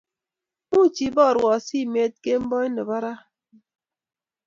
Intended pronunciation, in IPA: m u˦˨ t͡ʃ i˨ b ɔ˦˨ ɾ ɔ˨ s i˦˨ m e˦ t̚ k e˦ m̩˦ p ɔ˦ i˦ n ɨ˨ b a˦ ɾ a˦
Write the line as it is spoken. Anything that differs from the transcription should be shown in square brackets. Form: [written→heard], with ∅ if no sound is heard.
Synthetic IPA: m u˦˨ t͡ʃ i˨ b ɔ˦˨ ɾ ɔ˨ s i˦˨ m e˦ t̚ k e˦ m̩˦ [p→b] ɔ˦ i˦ n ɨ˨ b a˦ ɾ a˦